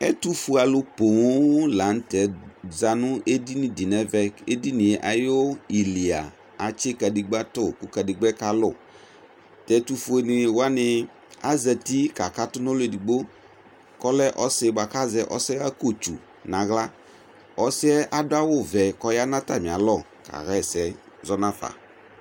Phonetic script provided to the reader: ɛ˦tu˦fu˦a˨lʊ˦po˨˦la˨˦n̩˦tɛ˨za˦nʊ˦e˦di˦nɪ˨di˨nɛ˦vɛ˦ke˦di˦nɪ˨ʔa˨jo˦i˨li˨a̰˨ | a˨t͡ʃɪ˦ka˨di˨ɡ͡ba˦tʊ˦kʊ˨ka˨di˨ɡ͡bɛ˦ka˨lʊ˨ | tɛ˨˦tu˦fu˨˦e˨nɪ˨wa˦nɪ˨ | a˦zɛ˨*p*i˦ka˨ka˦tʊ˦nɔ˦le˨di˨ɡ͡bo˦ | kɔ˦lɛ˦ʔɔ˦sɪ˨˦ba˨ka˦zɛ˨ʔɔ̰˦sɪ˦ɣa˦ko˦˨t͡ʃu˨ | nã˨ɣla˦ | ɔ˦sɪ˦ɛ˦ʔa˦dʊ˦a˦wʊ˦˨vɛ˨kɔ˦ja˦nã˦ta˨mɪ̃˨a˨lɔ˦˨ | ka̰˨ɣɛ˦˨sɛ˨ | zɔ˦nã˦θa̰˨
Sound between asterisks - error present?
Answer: yes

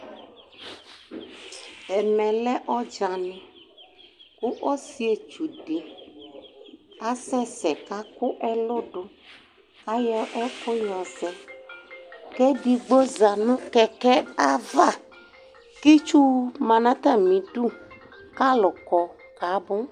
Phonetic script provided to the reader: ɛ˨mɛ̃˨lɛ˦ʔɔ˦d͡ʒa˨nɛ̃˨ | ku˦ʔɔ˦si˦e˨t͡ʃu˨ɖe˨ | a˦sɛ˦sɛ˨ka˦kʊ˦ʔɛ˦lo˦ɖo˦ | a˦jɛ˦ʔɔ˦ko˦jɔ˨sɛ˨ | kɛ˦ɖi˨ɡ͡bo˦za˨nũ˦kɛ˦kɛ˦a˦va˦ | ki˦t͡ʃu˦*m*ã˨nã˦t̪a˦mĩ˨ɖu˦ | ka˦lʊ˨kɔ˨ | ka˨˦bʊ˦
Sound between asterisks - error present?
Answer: no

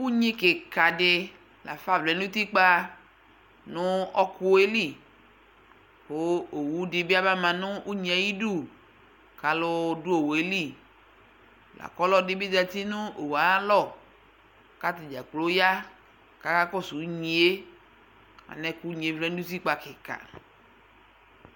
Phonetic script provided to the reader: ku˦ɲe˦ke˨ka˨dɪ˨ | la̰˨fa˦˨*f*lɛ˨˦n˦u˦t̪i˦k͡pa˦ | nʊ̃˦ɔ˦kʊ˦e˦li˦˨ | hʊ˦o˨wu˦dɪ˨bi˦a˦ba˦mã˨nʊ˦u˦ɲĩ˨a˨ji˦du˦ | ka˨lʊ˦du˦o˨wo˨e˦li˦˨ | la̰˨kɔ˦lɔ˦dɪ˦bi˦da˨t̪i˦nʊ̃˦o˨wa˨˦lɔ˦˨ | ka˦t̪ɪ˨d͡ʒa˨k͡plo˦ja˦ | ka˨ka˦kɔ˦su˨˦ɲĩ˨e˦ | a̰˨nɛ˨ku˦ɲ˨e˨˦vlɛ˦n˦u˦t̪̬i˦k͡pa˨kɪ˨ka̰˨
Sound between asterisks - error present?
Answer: yes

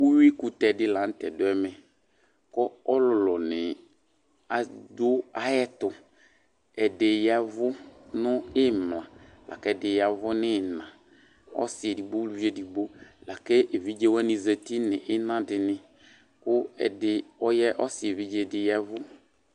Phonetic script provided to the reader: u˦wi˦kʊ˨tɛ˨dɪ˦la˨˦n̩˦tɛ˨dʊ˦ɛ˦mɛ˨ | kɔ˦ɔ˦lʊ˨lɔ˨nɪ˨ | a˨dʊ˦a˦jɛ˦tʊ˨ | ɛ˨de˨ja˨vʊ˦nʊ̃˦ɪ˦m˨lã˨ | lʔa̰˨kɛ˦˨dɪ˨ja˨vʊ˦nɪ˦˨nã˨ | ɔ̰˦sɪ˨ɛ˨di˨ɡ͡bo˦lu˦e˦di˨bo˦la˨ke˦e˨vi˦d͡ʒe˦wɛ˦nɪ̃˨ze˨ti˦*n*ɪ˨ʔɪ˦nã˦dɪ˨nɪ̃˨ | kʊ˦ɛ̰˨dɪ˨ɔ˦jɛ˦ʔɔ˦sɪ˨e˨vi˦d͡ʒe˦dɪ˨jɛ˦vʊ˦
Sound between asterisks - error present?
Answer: no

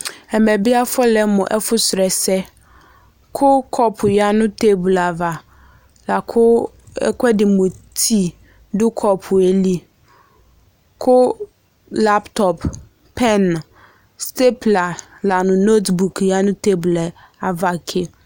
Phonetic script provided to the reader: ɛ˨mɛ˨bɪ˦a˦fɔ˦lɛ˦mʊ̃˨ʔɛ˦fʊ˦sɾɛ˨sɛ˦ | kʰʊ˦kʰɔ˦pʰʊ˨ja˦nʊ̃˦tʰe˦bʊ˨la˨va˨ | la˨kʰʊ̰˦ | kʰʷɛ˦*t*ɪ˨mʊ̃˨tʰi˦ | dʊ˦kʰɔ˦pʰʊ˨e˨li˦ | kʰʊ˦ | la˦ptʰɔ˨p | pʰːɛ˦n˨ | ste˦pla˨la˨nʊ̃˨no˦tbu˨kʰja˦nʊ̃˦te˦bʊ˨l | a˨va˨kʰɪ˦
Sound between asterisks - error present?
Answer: yes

